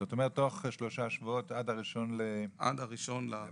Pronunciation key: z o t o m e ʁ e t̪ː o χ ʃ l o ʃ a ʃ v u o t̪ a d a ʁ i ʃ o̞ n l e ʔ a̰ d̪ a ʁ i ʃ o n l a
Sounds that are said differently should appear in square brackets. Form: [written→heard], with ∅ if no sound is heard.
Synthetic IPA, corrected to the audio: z o t o m e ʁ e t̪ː o χ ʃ l o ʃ a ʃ v u o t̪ a d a ʁ i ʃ o̞ n l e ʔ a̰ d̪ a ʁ i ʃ o n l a